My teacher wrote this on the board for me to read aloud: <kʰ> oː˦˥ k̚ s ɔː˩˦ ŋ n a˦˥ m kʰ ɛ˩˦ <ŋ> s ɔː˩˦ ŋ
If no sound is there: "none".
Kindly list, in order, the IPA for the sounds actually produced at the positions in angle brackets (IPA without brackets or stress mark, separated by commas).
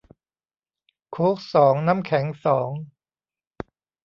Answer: kʰ, ŋ